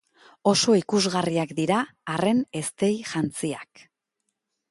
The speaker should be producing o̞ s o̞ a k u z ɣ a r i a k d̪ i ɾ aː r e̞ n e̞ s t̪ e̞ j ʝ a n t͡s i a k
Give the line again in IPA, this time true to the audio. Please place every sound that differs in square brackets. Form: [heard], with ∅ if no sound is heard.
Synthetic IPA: o̞ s o̞ [i] k u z ɣ a r i a k d̪ i ɾ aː r e̞ n e̞ s t̪ e̞ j ʝ a n t͡s i a k